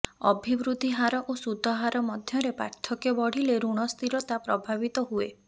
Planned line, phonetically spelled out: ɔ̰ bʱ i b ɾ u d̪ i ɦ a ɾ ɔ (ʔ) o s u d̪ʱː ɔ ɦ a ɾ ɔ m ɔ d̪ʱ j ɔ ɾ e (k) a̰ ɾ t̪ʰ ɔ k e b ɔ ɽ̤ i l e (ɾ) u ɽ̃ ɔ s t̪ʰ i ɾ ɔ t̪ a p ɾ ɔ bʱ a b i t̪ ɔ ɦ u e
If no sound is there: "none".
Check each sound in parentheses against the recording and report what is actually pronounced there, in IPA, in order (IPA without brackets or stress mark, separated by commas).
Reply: ʔ, p, ɾ